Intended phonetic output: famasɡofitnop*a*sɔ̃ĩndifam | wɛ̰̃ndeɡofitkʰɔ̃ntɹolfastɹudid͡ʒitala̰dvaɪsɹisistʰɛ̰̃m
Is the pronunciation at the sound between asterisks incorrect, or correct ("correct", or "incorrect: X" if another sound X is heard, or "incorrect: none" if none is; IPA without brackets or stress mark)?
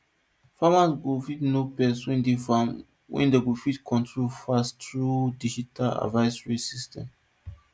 incorrect: ɛ